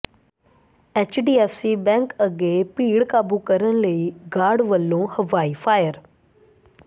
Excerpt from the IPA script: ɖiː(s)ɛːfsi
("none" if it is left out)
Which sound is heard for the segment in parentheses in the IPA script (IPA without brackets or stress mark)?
none